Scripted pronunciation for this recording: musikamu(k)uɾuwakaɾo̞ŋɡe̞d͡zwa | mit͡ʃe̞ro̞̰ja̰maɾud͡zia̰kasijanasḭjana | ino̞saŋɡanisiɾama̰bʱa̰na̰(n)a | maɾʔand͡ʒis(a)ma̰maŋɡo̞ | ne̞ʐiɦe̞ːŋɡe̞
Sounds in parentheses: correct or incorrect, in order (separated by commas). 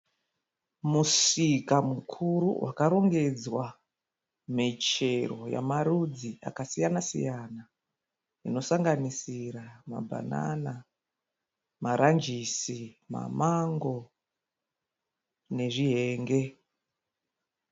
incorrect, correct, incorrect